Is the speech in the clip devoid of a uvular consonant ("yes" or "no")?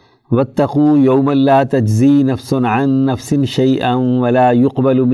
no